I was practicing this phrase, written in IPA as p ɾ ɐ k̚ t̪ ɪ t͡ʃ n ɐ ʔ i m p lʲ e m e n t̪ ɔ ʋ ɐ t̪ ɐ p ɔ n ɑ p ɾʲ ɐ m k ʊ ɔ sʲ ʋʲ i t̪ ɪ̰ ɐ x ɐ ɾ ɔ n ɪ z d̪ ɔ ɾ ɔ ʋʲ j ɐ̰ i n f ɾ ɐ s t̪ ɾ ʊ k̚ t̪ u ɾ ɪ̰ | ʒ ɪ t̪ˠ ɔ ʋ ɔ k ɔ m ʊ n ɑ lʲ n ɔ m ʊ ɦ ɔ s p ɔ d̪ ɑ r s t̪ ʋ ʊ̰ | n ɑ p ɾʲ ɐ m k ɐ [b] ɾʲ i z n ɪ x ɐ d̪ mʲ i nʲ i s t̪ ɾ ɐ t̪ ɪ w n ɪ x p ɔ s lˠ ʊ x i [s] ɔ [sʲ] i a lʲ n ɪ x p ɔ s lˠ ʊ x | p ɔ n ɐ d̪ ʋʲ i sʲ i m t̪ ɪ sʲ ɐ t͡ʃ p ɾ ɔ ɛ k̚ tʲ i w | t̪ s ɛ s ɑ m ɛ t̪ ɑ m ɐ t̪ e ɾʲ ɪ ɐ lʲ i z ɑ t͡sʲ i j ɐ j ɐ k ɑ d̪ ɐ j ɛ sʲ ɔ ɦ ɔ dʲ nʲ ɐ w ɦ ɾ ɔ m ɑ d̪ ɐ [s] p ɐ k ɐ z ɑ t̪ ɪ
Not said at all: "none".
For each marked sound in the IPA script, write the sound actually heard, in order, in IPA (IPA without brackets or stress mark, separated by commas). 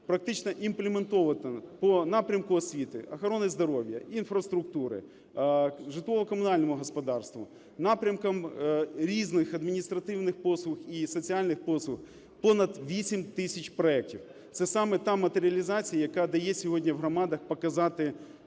m, s, t͡sʲ, x